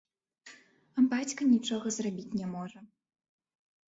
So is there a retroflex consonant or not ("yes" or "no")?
yes